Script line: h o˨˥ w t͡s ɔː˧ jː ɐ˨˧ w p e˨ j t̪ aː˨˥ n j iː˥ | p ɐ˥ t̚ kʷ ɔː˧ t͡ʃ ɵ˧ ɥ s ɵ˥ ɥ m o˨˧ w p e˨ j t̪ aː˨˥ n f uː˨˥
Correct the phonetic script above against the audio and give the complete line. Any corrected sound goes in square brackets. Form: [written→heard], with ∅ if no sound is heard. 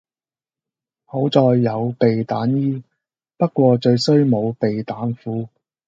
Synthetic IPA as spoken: h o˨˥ w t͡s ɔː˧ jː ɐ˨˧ w p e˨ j t̪ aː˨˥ n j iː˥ | p ɐ˥ t̚ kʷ ɔː˧ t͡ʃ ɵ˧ ɥ s ɵ˥ ɥ m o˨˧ w p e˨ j t̪ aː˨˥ n f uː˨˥